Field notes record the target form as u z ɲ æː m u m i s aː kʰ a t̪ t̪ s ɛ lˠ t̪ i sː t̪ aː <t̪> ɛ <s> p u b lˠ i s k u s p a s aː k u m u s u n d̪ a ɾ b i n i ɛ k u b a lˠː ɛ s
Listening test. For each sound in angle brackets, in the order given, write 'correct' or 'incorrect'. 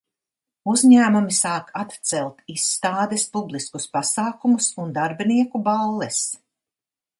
incorrect, correct

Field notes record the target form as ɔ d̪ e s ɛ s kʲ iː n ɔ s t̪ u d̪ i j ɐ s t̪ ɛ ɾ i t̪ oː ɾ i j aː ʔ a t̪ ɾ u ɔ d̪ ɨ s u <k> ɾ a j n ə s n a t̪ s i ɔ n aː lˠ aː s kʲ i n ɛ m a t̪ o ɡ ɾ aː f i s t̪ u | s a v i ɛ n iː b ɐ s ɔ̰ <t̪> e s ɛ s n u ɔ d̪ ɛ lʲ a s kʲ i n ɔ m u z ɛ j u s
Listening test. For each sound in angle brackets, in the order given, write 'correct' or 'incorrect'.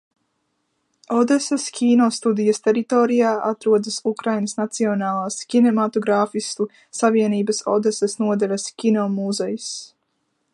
correct, incorrect

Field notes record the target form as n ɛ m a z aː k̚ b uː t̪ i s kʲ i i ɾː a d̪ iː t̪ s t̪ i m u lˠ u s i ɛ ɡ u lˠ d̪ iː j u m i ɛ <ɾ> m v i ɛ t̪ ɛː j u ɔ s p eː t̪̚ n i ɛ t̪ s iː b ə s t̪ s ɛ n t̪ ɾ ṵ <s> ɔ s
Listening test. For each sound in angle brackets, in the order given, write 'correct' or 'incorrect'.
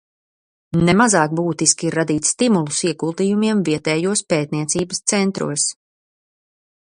incorrect, incorrect

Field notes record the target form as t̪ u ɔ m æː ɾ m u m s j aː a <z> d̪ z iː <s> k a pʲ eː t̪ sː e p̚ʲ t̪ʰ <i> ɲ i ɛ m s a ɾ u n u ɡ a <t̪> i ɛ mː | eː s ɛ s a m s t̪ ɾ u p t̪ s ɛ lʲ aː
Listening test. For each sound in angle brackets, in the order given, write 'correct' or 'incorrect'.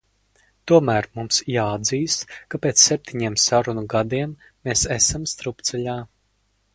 incorrect, correct, correct, incorrect

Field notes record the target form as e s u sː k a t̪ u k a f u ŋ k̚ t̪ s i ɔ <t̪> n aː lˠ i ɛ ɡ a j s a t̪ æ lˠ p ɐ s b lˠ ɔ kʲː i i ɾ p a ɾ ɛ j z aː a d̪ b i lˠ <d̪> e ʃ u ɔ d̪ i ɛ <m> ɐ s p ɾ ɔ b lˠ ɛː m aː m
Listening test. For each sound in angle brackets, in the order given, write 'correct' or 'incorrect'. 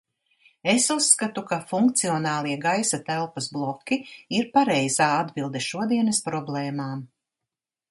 incorrect, correct, incorrect

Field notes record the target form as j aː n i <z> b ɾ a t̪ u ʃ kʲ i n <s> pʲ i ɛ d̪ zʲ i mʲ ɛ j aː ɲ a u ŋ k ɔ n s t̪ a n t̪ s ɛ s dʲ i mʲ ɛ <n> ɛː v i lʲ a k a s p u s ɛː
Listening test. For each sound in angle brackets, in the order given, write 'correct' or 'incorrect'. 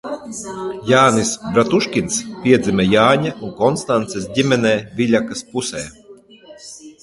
incorrect, correct, correct

